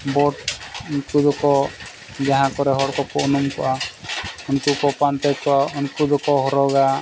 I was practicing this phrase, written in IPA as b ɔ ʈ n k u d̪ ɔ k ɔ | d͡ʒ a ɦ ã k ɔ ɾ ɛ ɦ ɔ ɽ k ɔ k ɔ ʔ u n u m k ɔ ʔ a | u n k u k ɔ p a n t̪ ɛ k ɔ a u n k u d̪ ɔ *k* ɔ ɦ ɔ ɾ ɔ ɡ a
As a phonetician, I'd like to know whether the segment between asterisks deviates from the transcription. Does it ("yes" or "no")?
no